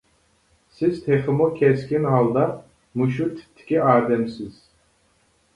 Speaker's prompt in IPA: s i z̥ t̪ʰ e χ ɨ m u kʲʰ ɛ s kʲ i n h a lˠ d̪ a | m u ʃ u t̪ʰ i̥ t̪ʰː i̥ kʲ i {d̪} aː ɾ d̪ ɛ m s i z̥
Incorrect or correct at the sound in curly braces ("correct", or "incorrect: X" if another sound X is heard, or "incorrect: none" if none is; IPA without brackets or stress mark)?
incorrect: none